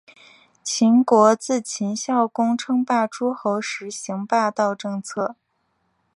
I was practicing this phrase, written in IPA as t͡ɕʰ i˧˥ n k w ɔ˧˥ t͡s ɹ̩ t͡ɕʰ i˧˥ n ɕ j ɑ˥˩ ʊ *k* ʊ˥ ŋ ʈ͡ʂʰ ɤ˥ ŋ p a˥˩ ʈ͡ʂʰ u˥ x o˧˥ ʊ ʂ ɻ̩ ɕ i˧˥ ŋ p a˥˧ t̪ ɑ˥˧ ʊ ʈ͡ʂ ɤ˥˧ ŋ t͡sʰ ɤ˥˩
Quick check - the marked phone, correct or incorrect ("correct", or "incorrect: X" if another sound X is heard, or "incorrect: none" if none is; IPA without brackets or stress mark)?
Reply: correct